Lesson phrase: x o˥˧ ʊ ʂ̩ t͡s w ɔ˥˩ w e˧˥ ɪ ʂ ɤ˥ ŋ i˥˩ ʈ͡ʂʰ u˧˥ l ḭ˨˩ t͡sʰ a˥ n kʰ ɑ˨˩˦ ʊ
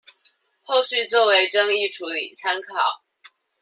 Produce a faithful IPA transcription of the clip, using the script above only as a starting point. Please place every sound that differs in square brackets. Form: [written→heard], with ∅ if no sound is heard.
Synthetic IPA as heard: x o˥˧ ʊ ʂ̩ t͡s w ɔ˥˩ w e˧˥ ɪ [ʂ→ʈ͡ʂ] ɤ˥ ŋ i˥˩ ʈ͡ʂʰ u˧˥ l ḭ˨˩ t͡sʰ a˥ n kʰ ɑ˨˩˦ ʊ